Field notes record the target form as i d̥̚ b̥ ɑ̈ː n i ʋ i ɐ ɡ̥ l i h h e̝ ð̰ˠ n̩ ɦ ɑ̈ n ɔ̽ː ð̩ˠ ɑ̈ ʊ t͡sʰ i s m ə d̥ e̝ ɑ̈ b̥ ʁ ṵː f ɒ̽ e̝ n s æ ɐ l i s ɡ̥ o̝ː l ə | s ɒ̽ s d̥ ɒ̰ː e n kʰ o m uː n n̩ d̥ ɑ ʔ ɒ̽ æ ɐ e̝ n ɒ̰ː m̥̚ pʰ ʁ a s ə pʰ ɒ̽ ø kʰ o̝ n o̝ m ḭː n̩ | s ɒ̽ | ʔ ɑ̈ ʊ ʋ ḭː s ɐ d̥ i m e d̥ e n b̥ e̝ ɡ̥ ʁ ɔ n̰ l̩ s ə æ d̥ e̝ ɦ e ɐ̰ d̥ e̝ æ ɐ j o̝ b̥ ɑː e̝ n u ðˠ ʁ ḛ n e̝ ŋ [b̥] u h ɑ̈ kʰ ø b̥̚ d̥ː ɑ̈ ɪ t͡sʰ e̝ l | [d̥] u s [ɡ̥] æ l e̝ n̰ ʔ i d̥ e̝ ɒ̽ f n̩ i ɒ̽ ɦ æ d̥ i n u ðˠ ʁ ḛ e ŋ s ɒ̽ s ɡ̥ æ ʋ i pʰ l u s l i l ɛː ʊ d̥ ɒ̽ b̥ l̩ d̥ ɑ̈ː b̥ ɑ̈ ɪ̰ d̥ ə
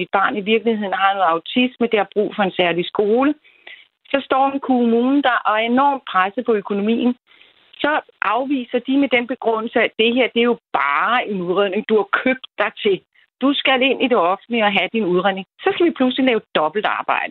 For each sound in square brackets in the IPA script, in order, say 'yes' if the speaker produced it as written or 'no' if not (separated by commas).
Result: no, yes, yes